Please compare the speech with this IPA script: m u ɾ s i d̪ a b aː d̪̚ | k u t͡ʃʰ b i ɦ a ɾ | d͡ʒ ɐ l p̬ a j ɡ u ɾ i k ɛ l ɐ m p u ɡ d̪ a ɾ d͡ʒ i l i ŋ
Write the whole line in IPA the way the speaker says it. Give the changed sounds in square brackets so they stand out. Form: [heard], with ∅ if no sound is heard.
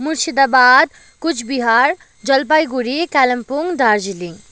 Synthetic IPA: m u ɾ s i d̪ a b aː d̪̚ | k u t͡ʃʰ b i ɦ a ɾ | d͡ʒ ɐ l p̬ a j ɡ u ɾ i k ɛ l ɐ m p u [ŋ] d̪ a ɾ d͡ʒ i l i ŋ

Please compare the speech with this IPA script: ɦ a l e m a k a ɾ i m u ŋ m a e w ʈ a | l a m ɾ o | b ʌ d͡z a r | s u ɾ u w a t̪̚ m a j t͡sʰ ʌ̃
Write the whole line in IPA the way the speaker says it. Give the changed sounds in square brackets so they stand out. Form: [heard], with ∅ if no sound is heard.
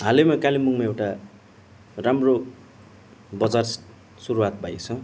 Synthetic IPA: ɦ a l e m a k a [l] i m u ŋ m a e w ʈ a | [r] a m [r] o | b ʌ d͡z a r | s u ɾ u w a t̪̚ [b] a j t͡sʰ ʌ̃

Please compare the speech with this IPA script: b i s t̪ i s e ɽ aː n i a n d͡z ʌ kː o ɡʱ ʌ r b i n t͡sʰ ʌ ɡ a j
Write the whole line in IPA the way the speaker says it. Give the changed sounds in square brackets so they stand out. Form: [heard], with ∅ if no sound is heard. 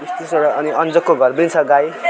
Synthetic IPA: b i s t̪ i s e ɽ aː n i [ʌ] n d͡z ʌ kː o ɡʱ ʌ r b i n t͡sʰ ʌ ɡ a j

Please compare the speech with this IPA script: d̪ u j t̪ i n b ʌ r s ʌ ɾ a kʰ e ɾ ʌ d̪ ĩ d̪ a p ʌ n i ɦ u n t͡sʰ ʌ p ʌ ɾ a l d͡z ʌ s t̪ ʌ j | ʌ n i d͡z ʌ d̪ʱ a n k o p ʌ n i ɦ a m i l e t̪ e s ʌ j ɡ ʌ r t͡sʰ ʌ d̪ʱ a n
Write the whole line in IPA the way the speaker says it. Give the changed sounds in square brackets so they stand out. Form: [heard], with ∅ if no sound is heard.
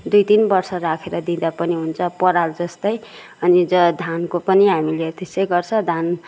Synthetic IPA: d̪ u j t̪ i n b ʌ r s ʌ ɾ a kʰ e ɾ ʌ d̪ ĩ d̪ a p ʌ n i ɦ u n t͡sʰ ʌ p ʌ ɾ a l d͡z ʌ s t̪ ʌ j | ʌ n i d͡z ʌ d̪ʱ a n k o p ʌ n i ɦ a m i l e t̪ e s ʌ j ɡ ʌ r t͡sʰ ʌ d̪ʱ a n

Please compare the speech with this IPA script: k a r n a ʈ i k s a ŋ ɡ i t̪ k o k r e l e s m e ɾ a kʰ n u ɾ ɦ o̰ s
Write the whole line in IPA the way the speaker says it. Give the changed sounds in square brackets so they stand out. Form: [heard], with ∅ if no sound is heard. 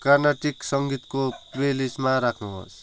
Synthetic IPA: k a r n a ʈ i k s [ʌ] ŋ ɡ i t̪ k o [p] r e l [i] s m [a] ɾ a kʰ n u [∅] ɦ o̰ s

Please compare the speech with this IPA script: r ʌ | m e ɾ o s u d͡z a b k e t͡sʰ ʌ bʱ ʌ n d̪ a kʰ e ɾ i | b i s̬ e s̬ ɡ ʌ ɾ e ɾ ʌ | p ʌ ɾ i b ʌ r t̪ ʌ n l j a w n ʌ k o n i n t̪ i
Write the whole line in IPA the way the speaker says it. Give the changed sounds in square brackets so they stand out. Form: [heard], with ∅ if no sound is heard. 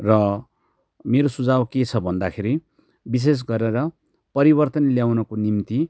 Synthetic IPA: r ʌ | m e ɾ o s u d͡z a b k e t͡sʰ ʌ bʱ ʌ n d̪ a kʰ e ɾ i | b i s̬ e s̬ ɡ ʌ ɾ e ɾ ʌ | p ʌ ɾ i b ʌ r t̪ ʌ n l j a w n ʌ k o n i [m] t̪ i

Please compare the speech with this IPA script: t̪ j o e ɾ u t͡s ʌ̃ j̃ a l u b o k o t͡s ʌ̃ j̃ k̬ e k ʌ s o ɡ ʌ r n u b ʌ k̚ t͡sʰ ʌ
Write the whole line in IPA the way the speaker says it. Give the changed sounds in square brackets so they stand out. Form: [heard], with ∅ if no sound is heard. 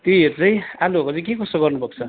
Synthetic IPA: t̪ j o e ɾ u t͡s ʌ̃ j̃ a l u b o k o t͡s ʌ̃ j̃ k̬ e k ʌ s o ɡ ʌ r n u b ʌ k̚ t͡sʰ ʌ

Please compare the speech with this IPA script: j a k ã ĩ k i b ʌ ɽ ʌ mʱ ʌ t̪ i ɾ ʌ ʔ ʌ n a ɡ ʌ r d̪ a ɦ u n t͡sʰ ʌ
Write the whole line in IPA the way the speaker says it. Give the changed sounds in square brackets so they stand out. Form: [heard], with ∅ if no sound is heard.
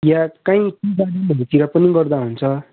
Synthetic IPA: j a k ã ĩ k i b [a] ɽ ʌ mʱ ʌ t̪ i ɾ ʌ [p] ʌ n [i] ɡ ʌ r d̪ a ɦ u n t͡sʰ ʌ

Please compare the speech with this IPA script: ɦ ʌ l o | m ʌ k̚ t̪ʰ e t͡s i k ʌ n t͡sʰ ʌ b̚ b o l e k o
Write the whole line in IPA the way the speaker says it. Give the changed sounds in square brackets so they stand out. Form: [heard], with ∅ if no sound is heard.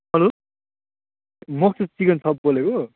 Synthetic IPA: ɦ ʌ l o | m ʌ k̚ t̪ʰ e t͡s i k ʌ n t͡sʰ ʌ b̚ b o l e k o

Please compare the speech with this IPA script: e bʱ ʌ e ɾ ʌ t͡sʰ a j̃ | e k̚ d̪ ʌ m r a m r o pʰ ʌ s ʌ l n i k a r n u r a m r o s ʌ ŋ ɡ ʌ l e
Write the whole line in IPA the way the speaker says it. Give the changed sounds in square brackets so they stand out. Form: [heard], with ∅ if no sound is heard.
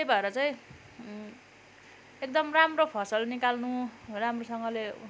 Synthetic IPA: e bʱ ʌ e ɾ ʌ [t͡s] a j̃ | e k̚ d̪ ʌ m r a m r o pʰ ʌ s ʌ l n i k a [l] n u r a m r o s ʌ ŋ ɡ ʌ l e

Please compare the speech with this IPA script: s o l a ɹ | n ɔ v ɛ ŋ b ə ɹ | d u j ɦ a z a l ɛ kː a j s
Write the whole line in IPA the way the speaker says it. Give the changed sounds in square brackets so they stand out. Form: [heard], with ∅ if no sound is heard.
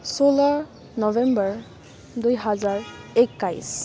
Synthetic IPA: s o l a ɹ | n ɔ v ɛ [m] b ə ɹ | d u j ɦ a z a [ɹ] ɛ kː a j s

